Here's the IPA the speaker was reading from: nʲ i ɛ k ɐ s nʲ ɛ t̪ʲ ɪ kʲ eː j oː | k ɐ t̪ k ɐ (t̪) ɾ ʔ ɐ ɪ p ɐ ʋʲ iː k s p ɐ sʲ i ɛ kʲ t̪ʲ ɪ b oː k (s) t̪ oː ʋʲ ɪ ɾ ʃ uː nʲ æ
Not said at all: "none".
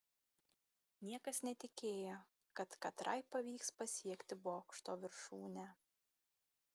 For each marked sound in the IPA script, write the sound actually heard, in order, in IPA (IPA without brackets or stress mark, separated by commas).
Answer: t̪, ʃ